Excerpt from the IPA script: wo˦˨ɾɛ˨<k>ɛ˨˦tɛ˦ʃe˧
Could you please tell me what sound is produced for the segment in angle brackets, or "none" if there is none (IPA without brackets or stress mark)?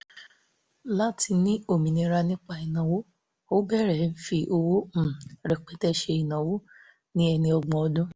k͡p